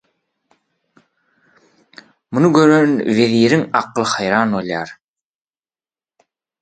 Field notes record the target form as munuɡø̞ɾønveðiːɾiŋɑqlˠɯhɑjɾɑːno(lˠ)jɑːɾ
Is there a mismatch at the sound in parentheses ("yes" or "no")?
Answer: no